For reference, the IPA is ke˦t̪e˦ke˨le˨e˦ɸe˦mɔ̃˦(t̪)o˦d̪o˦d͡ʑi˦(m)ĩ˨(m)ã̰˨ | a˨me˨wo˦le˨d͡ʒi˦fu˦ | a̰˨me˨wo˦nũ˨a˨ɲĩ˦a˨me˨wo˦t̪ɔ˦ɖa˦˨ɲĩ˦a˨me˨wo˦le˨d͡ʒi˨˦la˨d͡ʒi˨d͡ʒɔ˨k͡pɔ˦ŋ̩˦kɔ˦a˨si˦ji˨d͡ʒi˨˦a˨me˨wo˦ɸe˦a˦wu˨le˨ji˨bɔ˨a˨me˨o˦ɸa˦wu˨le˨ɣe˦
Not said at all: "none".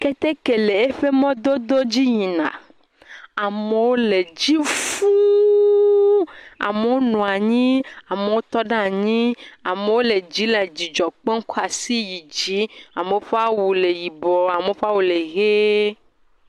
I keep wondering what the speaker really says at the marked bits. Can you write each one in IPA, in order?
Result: d̪, ɲ, n

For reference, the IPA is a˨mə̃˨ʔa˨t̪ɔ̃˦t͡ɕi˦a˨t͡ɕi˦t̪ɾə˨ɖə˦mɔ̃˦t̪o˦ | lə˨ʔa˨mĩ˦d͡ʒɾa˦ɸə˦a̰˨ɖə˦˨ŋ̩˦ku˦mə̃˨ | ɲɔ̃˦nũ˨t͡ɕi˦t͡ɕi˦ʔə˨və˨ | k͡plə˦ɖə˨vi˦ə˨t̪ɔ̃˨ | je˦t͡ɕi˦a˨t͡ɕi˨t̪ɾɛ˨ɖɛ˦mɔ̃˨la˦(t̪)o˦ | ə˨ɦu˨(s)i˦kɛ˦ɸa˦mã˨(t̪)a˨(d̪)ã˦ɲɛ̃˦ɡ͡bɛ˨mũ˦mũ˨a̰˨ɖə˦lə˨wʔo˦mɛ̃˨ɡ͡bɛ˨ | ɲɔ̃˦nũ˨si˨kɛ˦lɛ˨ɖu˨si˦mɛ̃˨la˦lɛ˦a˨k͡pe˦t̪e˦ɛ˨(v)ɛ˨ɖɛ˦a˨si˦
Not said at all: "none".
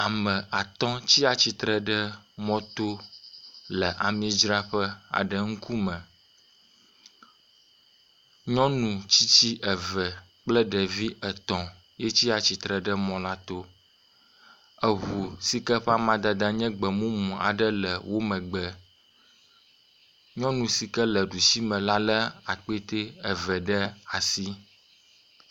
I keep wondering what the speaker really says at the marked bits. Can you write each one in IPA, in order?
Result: t̪, s, d̪, d̪, v

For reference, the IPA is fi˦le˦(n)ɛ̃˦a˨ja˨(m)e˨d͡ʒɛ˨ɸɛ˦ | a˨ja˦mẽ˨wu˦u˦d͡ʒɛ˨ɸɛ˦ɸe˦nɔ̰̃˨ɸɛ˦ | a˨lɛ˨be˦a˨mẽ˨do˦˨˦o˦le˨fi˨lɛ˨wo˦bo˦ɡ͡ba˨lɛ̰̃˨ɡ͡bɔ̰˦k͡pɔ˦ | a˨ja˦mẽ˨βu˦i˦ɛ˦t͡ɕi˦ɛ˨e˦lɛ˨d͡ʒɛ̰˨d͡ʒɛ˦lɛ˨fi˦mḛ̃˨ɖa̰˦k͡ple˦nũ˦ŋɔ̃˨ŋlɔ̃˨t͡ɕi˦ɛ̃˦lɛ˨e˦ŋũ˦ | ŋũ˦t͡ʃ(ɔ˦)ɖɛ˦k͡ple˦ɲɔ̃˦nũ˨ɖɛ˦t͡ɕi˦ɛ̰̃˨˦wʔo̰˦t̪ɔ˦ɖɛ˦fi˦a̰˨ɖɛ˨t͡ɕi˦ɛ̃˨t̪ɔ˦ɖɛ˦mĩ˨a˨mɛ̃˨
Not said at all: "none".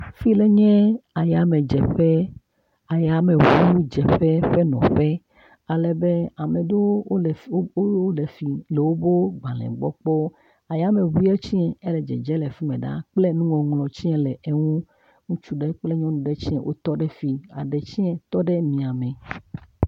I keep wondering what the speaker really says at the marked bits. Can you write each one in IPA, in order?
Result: ɲ, m, u˦

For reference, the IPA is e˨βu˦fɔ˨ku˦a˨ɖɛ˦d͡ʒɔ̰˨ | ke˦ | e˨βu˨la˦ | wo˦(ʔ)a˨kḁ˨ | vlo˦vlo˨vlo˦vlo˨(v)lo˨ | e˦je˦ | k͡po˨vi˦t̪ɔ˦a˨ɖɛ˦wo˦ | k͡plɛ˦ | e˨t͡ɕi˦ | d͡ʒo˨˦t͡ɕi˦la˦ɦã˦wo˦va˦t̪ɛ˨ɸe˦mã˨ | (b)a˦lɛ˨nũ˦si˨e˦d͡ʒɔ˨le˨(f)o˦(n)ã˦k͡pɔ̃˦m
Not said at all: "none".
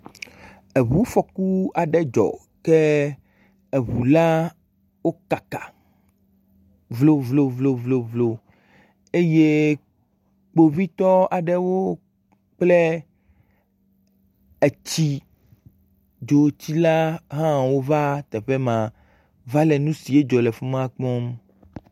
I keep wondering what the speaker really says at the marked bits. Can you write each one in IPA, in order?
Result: k, v, v, f, m

